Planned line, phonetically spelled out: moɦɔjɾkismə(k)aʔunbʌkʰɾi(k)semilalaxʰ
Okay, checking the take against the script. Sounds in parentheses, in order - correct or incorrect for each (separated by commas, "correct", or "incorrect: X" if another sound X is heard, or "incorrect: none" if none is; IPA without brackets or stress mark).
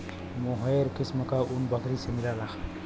correct, incorrect: none